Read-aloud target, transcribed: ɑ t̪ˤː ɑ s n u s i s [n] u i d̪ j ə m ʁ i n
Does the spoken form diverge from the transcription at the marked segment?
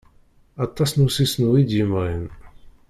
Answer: no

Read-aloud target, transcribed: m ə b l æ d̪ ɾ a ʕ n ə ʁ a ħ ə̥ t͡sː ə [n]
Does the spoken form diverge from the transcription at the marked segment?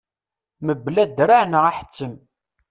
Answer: yes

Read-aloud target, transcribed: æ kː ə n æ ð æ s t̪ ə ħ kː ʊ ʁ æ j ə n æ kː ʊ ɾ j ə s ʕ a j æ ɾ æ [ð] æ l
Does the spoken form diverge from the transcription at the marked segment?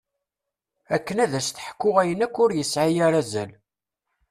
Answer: yes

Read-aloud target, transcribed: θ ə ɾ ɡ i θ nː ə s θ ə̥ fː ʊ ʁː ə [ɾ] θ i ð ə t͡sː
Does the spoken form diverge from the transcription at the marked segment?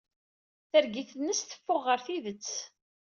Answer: no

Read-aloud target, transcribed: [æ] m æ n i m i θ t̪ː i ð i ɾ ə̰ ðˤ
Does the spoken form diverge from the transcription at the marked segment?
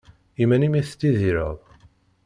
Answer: yes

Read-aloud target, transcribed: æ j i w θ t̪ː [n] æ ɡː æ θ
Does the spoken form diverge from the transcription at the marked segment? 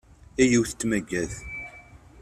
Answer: yes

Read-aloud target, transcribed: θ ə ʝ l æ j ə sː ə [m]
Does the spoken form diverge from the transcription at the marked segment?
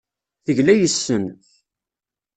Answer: yes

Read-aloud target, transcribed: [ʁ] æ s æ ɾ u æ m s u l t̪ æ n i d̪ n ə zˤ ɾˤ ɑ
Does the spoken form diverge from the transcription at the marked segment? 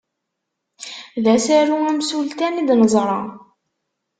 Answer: yes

